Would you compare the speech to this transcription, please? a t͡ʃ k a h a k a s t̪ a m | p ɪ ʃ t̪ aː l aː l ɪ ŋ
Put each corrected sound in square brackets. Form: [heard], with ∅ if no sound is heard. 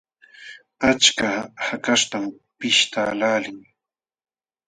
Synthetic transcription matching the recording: a t͡ʃ k a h a k a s t̪ a m | p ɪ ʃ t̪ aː l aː l ɪ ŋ